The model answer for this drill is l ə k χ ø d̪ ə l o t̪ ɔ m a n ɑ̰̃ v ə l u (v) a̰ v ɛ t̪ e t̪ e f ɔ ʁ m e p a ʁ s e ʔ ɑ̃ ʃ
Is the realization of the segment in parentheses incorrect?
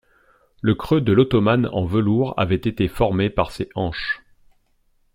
yes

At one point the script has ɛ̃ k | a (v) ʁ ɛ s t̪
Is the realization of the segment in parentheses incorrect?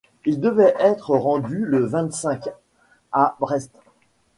yes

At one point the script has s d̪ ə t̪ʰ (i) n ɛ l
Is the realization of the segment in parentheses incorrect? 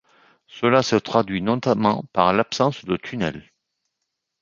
yes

